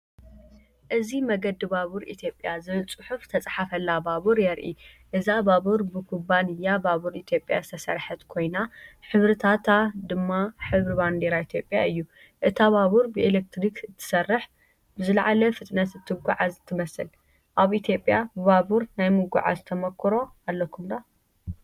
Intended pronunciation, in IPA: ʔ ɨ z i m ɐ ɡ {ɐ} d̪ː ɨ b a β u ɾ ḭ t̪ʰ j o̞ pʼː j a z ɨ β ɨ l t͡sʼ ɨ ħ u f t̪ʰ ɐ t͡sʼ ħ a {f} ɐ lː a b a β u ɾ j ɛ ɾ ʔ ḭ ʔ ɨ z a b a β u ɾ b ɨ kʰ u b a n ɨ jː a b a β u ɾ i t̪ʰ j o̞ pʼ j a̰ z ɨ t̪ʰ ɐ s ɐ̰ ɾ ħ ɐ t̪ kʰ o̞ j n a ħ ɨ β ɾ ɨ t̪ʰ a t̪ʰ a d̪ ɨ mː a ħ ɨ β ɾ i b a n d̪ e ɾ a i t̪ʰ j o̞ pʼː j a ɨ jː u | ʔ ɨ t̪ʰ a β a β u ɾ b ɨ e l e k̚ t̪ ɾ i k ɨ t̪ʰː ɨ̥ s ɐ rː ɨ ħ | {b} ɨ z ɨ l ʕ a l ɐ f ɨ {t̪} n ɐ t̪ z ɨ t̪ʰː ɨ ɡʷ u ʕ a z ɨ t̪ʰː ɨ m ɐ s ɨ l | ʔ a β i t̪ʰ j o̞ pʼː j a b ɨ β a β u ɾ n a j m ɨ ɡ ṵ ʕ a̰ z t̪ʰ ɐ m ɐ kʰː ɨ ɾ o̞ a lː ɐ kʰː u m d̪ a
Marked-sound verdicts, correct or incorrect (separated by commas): correct, correct, correct, incorrect